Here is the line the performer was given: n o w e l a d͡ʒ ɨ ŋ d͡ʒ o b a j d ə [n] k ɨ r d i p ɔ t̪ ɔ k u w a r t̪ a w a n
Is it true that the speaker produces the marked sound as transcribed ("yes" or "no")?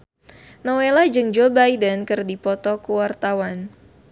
yes